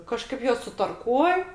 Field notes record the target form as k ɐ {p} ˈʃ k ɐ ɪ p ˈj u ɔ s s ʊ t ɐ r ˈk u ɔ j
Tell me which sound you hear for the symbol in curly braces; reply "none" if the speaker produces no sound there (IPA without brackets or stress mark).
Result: none